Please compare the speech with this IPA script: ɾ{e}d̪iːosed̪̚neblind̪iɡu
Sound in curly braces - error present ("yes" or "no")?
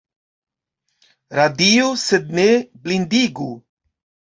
yes